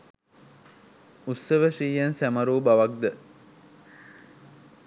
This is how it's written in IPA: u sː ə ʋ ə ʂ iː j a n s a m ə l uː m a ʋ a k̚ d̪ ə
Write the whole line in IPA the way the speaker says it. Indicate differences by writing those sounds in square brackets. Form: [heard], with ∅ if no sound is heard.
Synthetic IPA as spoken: u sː ə ʋ ə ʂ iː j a n s [æ] m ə [ɾ] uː [b] a ʋ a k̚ d̪ ə